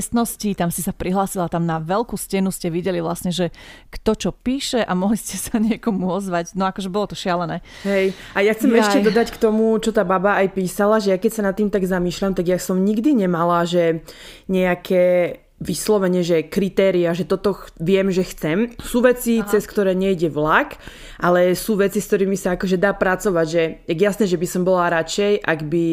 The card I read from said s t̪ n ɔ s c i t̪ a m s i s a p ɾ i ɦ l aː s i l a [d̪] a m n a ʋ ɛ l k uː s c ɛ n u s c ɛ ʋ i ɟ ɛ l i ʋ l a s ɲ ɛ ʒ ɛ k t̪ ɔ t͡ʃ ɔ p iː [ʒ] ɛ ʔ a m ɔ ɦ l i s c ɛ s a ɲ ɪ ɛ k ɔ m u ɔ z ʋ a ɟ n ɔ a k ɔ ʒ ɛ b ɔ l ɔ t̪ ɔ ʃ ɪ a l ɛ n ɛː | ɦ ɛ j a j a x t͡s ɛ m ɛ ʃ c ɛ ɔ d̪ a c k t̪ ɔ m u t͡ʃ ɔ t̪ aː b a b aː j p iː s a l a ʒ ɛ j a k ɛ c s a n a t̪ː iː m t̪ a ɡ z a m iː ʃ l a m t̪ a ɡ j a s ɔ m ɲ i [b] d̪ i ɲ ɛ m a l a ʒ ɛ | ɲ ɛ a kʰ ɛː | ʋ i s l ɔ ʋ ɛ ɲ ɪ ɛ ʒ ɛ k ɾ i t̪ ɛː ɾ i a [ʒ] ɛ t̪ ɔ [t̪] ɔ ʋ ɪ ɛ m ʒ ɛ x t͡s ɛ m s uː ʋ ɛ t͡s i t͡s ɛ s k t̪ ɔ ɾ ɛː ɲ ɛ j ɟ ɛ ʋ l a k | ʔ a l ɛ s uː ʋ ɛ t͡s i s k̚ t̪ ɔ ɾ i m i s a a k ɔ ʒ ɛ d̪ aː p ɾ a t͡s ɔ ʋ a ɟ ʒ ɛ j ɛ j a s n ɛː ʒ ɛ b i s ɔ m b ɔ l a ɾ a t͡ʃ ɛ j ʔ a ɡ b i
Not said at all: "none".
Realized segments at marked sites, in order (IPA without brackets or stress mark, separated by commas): t̪, ʃ, ɡ, ʒ, t̪